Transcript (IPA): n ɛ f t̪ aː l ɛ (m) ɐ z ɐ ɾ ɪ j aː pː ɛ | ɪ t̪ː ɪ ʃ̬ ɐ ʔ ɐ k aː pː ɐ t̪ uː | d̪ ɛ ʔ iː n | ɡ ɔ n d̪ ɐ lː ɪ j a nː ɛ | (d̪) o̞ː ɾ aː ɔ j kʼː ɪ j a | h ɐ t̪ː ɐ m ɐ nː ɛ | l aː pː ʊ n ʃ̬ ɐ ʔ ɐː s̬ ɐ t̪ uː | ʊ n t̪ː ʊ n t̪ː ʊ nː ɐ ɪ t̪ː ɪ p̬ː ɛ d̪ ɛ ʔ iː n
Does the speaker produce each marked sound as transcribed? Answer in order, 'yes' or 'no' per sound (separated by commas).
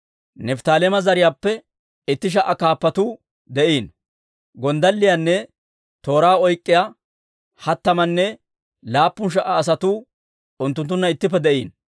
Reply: yes, no